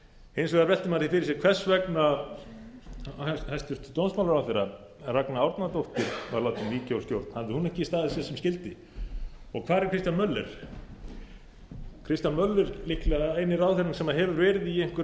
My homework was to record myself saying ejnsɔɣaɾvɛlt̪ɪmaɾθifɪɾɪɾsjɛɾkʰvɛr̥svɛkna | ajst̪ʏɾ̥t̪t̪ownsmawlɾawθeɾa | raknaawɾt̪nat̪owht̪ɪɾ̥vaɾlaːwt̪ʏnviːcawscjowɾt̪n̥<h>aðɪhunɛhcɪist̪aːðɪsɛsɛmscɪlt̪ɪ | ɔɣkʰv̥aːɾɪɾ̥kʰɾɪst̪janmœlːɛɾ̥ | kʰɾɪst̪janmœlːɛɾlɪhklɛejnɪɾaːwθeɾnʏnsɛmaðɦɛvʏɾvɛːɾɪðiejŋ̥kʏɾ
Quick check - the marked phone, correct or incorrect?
correct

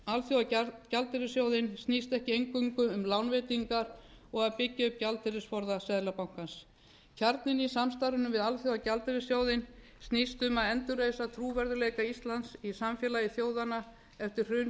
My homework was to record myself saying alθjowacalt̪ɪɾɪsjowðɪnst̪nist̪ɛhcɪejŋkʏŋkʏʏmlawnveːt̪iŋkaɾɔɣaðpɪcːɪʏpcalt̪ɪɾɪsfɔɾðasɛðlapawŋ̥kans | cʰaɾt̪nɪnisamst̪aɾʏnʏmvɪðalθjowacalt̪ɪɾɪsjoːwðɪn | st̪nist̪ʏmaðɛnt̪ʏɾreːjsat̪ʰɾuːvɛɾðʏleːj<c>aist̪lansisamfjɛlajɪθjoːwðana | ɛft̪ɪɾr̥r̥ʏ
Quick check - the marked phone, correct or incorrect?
incorrect: k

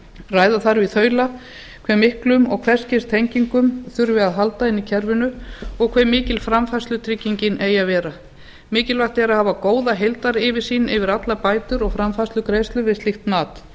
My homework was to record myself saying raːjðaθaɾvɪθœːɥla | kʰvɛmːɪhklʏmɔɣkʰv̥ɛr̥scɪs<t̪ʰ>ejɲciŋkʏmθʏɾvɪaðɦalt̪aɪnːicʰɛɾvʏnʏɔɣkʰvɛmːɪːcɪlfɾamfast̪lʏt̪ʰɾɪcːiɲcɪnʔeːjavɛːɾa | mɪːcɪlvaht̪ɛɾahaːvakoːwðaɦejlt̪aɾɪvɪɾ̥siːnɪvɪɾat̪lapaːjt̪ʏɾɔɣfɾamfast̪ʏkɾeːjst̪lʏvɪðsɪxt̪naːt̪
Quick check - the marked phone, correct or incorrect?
correct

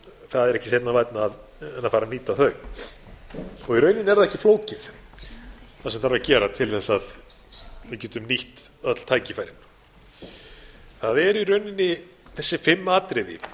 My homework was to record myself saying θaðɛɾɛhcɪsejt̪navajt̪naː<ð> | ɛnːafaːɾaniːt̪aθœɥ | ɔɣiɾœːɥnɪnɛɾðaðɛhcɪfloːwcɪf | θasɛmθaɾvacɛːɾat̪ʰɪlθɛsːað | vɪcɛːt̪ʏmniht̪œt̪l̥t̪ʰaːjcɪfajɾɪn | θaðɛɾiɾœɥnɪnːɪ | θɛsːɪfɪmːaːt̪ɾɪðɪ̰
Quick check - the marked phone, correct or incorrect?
correct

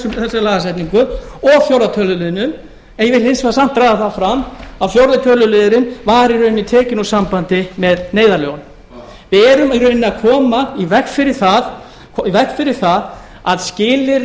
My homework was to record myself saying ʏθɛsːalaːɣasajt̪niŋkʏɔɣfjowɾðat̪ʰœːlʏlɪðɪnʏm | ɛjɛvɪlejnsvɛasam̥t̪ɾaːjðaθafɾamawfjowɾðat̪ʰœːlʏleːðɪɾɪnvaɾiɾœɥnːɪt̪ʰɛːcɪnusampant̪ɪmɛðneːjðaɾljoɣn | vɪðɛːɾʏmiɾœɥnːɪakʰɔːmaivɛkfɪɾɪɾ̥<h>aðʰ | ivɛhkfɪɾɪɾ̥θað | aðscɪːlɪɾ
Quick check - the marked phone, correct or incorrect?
incorrect: θ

